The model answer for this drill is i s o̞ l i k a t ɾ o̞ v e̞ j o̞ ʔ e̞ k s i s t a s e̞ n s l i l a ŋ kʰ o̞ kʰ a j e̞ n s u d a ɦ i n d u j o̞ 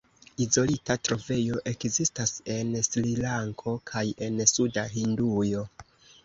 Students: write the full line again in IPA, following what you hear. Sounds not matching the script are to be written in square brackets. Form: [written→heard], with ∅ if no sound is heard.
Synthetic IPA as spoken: i [s→z] o̞ l i [k→t] a t ɾ o̞ v e̞ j o̞ ʔ e̞ k [s→z] i s t a s e̞ n s l i l a ŋ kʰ o̞ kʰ a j e̞ n s u d a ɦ i n d u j o̞